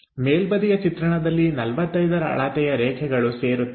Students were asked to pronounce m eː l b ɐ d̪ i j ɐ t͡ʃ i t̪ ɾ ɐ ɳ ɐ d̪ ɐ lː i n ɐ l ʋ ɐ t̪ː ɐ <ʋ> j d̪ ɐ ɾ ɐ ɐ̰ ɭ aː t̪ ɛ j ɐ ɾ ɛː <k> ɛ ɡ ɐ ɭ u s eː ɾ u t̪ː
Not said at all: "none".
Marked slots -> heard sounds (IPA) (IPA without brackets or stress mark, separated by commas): none, kʰ